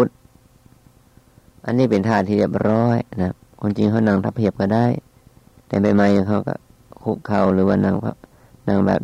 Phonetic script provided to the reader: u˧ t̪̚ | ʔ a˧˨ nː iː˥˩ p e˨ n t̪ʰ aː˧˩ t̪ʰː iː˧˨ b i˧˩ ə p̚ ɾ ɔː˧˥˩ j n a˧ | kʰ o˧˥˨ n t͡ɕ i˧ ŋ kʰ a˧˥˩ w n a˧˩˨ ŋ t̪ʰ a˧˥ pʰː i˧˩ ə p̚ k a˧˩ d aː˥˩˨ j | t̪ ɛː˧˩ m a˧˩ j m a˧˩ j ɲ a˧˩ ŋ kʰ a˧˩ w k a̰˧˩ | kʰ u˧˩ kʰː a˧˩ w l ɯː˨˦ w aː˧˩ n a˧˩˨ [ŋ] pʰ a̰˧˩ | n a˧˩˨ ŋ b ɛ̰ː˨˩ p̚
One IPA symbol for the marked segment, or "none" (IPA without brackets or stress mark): ŋ